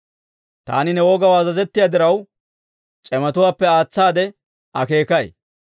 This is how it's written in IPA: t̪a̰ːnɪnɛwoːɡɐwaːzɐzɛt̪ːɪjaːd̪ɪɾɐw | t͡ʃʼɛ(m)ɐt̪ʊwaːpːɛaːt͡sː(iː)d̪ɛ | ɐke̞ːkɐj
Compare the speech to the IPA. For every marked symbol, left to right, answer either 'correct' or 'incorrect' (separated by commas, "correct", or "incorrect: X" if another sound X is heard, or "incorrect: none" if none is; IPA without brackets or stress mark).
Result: correct, incorrect: aː